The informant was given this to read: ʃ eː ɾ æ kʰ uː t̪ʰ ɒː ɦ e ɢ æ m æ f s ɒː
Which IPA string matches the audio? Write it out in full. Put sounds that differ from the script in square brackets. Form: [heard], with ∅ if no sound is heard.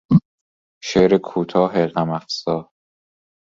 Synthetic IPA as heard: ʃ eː ɾ [e] kʰ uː t̪ʰ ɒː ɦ e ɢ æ m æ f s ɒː